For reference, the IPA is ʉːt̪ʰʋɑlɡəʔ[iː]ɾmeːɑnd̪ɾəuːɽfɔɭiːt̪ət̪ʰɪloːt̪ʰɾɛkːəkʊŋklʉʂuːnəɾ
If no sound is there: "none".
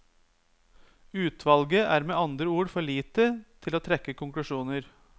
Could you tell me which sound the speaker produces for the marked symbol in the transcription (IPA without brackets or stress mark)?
æː